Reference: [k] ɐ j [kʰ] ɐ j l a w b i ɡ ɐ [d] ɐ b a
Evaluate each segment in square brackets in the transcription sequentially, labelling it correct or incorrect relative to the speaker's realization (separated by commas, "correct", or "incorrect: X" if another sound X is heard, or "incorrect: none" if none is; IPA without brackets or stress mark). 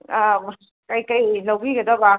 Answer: correct, incorrect: k, correct